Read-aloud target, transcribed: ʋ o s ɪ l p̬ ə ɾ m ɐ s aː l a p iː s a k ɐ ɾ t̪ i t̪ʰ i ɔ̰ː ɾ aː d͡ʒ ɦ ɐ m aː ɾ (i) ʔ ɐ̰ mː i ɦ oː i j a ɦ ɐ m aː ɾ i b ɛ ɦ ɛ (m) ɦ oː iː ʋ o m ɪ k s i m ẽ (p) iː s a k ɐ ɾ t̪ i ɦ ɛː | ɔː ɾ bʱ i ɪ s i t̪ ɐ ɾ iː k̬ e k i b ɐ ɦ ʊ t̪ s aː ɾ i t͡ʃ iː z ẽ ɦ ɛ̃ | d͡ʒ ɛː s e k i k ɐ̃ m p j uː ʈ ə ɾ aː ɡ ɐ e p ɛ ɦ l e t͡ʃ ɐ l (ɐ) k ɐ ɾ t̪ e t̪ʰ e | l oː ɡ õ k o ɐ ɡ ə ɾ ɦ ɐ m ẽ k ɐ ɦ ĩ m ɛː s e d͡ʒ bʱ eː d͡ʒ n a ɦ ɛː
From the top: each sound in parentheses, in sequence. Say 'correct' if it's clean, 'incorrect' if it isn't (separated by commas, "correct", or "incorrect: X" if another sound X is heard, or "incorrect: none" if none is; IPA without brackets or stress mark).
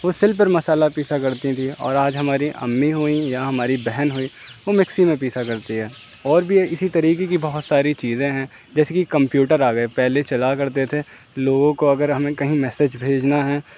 correct, incorrect: n, correct, incorrect: a